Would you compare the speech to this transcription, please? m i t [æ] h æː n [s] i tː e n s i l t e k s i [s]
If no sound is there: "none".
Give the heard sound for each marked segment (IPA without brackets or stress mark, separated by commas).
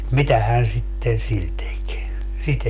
æ, s, t